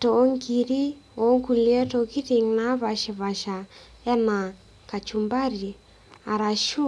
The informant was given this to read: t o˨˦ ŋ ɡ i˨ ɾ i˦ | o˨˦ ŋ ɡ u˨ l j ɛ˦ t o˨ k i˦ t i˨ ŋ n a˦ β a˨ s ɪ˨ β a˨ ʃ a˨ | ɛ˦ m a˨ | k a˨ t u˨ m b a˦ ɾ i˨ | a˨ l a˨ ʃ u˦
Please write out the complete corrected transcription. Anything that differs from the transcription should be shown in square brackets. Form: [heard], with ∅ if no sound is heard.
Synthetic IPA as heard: t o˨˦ ŋ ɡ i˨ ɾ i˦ | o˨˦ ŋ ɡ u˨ l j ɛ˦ t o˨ k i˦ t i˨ ŋ n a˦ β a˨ [ʃ] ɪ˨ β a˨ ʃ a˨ | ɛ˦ [n] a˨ | k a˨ [t͡ʃ] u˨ m b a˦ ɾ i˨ | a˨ [ɾ] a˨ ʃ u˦